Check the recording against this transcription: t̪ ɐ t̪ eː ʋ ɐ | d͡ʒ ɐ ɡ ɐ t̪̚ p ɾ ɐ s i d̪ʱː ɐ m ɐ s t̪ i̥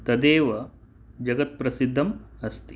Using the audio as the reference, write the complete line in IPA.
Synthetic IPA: t̪ ɐ d̪ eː ʋ ɐ | d͡ʒ ɐ ɡ ɐ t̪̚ p ɾ ɐ s i d̪ʱː ɐ m ɐ s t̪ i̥